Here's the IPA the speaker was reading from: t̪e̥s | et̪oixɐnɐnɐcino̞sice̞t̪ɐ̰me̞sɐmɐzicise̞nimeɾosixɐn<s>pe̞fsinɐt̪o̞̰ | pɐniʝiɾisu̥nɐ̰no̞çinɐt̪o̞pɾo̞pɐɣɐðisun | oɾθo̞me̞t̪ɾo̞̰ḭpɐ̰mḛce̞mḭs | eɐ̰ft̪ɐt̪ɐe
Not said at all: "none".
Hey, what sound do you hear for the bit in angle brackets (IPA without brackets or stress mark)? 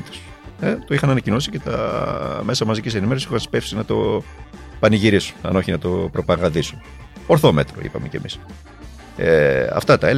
s